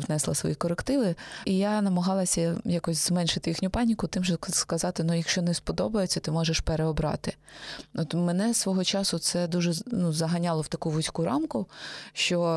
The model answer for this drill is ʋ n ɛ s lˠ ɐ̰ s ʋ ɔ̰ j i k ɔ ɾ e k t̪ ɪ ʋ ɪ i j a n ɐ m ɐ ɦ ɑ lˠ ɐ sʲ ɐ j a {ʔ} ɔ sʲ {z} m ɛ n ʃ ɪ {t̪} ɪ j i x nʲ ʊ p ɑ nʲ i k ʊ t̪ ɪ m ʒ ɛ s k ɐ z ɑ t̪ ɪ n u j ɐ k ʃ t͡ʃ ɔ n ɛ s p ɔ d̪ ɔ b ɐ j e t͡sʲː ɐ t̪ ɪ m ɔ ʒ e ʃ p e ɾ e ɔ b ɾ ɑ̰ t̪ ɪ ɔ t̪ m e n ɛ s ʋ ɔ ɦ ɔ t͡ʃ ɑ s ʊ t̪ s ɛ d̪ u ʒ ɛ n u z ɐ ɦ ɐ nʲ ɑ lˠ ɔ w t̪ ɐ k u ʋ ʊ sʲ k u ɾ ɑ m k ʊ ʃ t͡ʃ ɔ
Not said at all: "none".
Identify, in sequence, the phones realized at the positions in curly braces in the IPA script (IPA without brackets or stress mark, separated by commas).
k, z, t̪